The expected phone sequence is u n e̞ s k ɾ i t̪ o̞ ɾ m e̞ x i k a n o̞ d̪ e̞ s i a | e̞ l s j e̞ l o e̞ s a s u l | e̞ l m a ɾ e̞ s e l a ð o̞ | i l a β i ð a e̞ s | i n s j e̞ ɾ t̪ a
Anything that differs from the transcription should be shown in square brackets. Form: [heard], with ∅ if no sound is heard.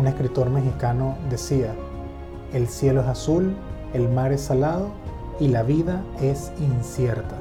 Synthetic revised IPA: u n e̞ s k ɾ i t̪ o̞ ɾ m e̞ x i k a n o̞ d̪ e̞ s i a | e̞ l s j e̞ l o e̞ s a s u l | e̞ l m a ɾ e̞ s [a] l a ð o̞ | i l a β i ð a e̞ s | i n s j e̞ ɾ t̪ a